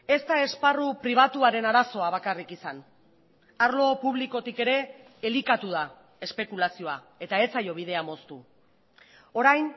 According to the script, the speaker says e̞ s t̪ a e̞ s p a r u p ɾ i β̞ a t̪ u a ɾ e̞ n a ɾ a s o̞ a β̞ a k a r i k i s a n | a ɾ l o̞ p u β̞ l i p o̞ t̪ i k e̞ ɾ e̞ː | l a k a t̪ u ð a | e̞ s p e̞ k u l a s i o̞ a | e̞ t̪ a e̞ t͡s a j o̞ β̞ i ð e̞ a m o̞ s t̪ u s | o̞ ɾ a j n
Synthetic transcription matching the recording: e̞ s t̪ a e̞ s p a r u p ɾ i β̞ a t̪ u a ɾ e̞ n a ɾ a s o̞ a β̞ a k a r i k i s a n | a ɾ l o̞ p u β̞ l i k o̞ t̪ i k e̞ ɾ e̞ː | l i k a t̪ u ð a | e̞ s p e̞ k u l a s i o̞ a | e̞ t̪ a e̞ t͡s a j o̞ β̞ i ð e̞ a m o̞ s t̪ u | o̞ ɾ a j n

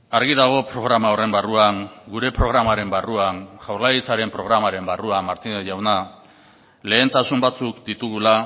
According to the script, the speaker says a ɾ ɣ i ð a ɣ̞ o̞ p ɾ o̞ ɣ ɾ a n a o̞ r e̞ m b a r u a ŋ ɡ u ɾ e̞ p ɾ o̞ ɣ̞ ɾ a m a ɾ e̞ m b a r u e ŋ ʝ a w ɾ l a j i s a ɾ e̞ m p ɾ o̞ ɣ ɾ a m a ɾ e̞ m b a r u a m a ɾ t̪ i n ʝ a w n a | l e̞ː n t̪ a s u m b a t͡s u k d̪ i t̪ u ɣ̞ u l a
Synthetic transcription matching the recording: a ɾ ɣ i ð a ɣ̞ o̞ p ɾ o̞ ɣ ɾ a m a o̞ r e̞ m b a r u a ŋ ɡ u ɾ e̞ p ɾ o̞ ɣ̞ ɾ a m a ɾ e̞ m b a r u a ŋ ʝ a w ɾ l a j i t͡s a ɾ e̞ m p ɾ o̞ ɣ ɾ a m a ɾ e̞ m b a r u a m a ɾ t̪ i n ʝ a w n a | l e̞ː n t̪ a s u m b a t͡s u k d̪ i t̪ u ɣ̞ u l a

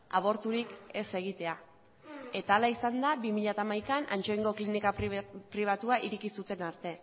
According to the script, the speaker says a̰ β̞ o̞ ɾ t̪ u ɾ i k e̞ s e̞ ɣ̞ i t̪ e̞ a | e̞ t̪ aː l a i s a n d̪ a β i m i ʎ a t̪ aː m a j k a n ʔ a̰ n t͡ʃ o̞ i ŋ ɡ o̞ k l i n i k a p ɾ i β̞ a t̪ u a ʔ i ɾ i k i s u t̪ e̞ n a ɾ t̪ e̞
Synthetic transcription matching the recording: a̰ β̞ o̞ ɾ t̪ u ɾ i k e̞ s e̞ ɣ̞ i t̪ e̞ a | e̞ t̪ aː l a i s a n d̪ a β i m i ʎ a t̪ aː m a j k a n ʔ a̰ n t͡ʃ o̞ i ŋ ɡ o̞ k l i n i k a p ɾ i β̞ a t̪ u a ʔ i ɾ i k i s u t̪ e̞ n a ɾ t̪ e̞

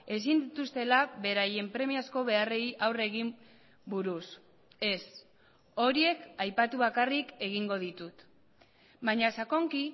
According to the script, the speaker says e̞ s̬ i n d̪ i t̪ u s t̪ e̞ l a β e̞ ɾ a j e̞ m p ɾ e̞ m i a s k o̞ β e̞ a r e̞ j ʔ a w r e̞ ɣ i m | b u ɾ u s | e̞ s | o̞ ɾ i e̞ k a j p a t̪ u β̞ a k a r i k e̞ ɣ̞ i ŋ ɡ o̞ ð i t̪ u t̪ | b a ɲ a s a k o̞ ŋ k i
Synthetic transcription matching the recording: e̞ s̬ i n d̪ i t̪ u s t̪ e̞ l a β e̞ ɾ a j e̞ m p ɾ e̞ m i a s k o̞ β e̞ a r e̞ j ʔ a w r e̞ ɣ i m | b u ɾ u s | e̞ s | o̞ ɾ i e̞ k a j p a t̪ u β̞ a k a r i k e̞ ɣ̞ i ŋ ɡ o̞ ð i t̪ u t̪ | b a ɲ a s a k o̞ ŋ k i

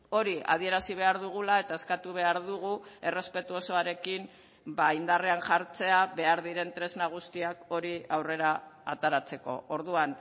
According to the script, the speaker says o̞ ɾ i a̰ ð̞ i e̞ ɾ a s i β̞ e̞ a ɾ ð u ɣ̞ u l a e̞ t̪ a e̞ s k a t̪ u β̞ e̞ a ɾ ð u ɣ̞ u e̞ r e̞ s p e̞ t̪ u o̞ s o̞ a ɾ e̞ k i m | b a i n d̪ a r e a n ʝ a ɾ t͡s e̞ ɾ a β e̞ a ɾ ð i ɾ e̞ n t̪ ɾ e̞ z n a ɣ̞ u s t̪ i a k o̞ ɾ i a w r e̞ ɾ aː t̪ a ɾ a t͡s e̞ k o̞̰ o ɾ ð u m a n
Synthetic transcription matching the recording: o̞ ɾ i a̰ ð̞ i e̞ ɾ a s i β̞ e̞ a ɾ ð u ɣ̞ u l a e̞ t̪ a e̞ s k a t̪ u β̞ e̞ a ɾ ð u ɣ̞ u e̞ r e̞ s p e̞ t̪ u o̞ s o̞ a ɾ e̞ k i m | b a i n d̪ a r e a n ʝ a ɾ t͡s e̞ a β e̞ a ɾ ð i ɾ e̞ n t̪ ɾ e̞ z n a ɣ̞ u s t̪ i a k o̞ ɾ i a w r e̞ ɾ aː t̪ a ɾ a t͡s e̞ k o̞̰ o ɾ ð u a n

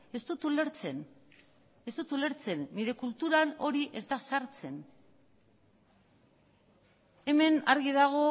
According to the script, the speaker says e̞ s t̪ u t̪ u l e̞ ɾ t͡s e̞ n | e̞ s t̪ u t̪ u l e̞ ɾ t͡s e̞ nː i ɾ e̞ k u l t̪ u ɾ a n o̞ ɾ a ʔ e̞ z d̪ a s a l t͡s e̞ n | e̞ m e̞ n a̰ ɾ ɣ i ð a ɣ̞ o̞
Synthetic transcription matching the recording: e̞ s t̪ u t̪ u l e̞ ɾ t͡s e̞ n | e̞ s t̪ u t̪ u l e̞ ɾ t͡s e̞ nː i ɾ e̞ k u l t̪ u ɾ a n o̞ ɾ i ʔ e̞ z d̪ a s a ɾ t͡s e̞ n | e̞ m e̞ n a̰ ɾ ɣ i ð a ɣ̞ o̞

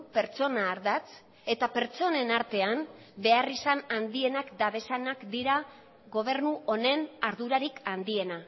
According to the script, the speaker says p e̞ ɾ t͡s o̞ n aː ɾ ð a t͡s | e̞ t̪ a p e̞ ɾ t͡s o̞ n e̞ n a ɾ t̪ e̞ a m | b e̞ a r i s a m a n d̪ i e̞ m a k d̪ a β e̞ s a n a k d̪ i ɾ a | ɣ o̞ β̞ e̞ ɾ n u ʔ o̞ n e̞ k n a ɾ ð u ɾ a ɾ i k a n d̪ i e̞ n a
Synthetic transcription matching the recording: p e̞ ɾ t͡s o̞ n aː ɾ ð a t͡s | e̞ t̪ a p e̞ ɾ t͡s o̞ n e̞ n a ɾ t̪ e̞ a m | b e̞ a r i s a n a n d̪ i e̞ n a k d̪ a β e̞ s a n a k d̪ i ɾ a | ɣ o̞ β̞ e̞ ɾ n u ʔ o̞ n e̞ n a ɾ ð u ɾ a ɾ i k a n d̪ i e̞ n a

